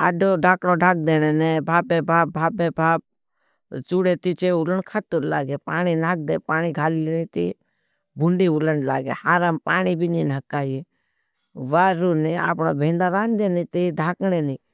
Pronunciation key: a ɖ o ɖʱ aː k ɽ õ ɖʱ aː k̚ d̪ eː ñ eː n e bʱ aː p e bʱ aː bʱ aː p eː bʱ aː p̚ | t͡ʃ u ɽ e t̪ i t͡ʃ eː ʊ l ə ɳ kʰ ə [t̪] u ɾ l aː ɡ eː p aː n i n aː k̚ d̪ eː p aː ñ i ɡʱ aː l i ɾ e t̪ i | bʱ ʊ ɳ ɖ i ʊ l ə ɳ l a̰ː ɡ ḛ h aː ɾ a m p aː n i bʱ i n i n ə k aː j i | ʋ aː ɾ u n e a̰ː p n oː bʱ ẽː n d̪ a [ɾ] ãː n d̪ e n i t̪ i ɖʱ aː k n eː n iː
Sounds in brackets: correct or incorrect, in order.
correct, correct

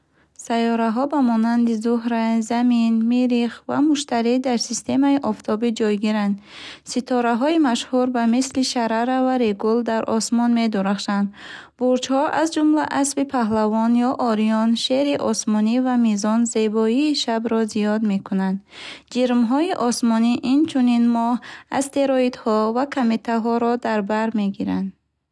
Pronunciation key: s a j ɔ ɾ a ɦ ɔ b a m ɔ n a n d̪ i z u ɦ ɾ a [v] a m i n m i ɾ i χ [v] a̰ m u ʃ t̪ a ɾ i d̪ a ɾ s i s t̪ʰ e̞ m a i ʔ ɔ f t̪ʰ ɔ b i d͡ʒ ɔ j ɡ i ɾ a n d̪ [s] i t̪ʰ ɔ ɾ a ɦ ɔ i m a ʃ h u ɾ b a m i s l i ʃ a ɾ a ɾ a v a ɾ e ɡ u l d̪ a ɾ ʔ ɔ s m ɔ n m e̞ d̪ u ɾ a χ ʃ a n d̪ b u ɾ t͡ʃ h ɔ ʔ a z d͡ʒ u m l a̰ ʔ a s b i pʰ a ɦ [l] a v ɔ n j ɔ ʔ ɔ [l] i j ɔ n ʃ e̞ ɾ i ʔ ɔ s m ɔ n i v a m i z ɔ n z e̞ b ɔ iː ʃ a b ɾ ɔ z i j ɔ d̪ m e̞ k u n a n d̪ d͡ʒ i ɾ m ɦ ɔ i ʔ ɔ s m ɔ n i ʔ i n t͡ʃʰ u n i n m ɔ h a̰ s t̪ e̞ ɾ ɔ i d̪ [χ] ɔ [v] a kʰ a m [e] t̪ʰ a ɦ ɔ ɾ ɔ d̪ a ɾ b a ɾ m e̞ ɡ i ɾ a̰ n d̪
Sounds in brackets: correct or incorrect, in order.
incorrect: z, correct, correct, correct, incorrect: ɾ, incorrect: h, correct, correct

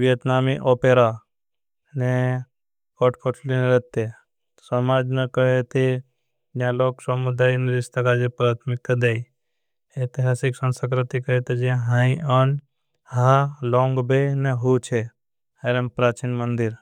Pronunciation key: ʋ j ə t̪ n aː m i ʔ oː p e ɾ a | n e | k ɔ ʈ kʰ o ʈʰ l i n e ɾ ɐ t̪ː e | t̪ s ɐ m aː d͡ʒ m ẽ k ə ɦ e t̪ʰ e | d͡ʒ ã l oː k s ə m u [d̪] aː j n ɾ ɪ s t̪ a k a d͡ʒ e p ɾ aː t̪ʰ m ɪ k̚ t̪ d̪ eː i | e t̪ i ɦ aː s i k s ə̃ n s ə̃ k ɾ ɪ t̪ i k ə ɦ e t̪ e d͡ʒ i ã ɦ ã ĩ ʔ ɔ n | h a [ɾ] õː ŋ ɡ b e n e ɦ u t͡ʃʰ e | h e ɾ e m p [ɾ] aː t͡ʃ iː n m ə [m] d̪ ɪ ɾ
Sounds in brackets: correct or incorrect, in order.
correct, incorrect: l, correct, incorrect: n

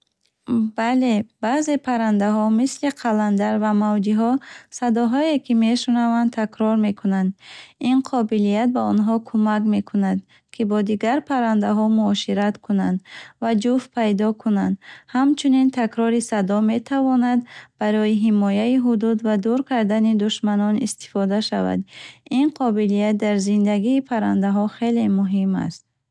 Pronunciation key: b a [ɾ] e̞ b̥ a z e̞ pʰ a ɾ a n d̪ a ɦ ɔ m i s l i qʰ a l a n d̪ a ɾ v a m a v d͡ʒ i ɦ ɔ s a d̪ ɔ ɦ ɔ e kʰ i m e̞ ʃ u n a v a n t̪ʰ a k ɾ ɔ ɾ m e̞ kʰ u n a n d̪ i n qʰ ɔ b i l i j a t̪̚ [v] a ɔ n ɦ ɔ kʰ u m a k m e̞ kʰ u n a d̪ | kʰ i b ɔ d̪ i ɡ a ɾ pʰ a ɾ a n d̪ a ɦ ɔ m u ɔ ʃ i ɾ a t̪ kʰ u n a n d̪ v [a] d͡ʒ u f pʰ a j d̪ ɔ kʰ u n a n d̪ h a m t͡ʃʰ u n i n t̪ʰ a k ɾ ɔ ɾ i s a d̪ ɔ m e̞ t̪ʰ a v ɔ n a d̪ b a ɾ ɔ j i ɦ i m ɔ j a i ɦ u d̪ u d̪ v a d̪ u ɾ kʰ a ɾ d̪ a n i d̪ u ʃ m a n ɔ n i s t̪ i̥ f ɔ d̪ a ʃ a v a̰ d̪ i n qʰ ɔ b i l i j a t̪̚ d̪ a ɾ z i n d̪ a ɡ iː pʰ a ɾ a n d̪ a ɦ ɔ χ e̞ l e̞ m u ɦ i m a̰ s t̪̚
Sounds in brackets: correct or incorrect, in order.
incorrect: l, incorrect: b, correct

